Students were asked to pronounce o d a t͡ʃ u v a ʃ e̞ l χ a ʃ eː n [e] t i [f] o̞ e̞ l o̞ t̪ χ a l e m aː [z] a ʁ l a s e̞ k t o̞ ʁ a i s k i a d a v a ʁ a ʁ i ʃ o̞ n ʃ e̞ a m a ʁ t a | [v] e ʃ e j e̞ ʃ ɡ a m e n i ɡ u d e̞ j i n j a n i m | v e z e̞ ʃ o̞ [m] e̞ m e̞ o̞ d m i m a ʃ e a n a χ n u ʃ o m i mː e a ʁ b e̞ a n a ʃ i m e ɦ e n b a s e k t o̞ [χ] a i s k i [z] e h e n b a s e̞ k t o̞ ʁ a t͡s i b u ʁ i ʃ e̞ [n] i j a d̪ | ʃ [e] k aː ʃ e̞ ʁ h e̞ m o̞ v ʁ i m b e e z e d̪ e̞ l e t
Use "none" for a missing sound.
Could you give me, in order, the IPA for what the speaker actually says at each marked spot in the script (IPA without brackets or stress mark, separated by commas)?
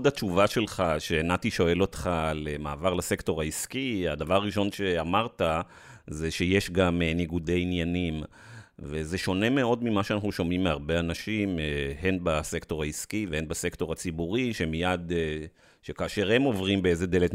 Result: a, ʃ, v, z, n, ʁ, v, m, e